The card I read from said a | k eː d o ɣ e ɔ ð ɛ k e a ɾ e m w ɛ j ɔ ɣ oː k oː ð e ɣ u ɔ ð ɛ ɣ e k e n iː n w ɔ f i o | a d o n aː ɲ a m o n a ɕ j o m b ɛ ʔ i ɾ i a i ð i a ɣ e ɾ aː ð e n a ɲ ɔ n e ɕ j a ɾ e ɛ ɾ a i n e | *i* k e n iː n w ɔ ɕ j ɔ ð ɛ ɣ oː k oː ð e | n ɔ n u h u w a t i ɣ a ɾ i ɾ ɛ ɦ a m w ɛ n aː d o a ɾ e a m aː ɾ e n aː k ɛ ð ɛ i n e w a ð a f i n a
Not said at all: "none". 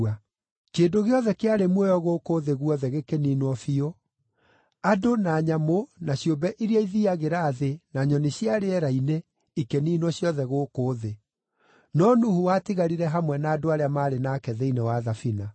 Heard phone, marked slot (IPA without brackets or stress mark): i